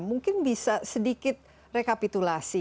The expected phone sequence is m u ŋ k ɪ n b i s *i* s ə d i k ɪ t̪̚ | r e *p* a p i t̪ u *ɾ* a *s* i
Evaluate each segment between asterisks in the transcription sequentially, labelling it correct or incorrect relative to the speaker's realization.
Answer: incorrect, incorrect, incorrect, correct

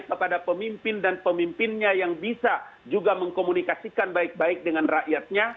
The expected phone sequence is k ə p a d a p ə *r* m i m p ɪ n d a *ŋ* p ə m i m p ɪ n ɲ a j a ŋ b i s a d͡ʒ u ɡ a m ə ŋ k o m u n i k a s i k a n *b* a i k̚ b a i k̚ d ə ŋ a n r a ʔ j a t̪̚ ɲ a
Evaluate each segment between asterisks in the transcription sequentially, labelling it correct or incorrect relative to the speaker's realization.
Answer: incorrect, incorrect, correct

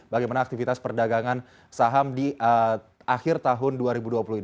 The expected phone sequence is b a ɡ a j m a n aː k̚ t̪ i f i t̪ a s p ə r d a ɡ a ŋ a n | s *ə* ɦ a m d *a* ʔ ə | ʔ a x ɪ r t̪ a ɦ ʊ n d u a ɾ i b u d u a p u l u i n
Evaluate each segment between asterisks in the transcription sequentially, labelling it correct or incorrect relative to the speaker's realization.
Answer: incorrect, incorrect

